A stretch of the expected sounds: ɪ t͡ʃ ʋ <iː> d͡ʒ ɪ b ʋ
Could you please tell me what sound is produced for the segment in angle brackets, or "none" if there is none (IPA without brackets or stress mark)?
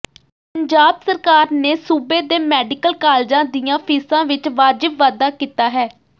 aː